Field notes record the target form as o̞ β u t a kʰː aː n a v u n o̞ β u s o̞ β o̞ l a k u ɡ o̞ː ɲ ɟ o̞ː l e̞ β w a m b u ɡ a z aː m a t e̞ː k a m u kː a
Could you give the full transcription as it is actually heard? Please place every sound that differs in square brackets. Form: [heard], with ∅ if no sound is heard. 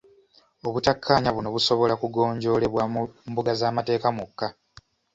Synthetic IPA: o̞ β u t a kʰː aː [ɲ] a [β] u n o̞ β u s o̞ β o̞ l a k u ɡ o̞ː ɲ ɟ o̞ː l e̞ β w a m b u ɡ a z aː m a t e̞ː k a m u kː a

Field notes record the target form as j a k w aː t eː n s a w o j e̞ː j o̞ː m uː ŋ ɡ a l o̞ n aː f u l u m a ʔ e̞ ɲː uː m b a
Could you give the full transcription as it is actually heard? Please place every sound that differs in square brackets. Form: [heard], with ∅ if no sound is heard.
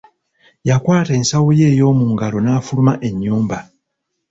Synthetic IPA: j a k w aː t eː n s a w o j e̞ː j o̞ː m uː ŋ ɡ a l o̞ n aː f u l u m a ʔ e̞ ɲː uː m b a

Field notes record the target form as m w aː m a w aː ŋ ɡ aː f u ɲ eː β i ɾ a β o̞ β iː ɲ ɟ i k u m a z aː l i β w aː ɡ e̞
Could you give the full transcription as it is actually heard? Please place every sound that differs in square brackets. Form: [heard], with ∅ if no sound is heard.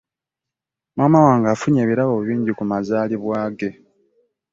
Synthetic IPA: m w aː m a w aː ŋ ɡ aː f u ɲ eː β i ɾ a β o̞ β iː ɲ ɟ i k u m a z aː l i β w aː ɡ e̞

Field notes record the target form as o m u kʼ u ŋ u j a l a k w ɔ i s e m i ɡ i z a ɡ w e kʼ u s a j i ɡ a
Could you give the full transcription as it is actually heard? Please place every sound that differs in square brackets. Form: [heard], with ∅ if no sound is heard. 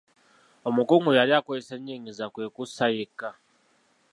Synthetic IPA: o m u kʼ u ŋ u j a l a k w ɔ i s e [ɲ] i [ŋ] i z a [k] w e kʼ u s a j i [k] a

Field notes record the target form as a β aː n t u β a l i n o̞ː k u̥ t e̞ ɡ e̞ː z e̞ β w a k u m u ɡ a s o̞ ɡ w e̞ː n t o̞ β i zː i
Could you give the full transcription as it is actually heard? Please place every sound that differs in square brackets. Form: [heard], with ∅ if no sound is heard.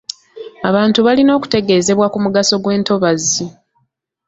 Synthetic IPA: a β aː n t u β a l i n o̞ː k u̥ t e̞ ɡ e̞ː z e̞ β w a k u m u ɡ a s o̞ ɡ w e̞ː n t o̞ β [a] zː i

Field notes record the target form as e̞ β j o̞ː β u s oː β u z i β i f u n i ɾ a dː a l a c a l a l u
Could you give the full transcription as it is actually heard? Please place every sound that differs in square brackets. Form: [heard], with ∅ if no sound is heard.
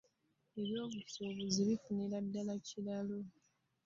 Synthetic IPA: e̞ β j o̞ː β u s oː β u z i β i f u n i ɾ a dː a l a c [i] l a l [o]

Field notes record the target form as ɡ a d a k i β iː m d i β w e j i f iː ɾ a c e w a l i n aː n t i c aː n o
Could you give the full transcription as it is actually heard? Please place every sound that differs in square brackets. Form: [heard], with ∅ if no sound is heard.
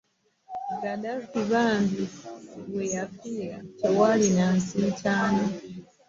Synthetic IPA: ɡ a d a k i β [aː] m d i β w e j [a] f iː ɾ a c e w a l i n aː n [s] i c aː n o

